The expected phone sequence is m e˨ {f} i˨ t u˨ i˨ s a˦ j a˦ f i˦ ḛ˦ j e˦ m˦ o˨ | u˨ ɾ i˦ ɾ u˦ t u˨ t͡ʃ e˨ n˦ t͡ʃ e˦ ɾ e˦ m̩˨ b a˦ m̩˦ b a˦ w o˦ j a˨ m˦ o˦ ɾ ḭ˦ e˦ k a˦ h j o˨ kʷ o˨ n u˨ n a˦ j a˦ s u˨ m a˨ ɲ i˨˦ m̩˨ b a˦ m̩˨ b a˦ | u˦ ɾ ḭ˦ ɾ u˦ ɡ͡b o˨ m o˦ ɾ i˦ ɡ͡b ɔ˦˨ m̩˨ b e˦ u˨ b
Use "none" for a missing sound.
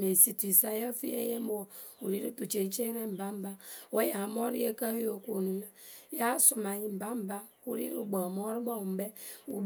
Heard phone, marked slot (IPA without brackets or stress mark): s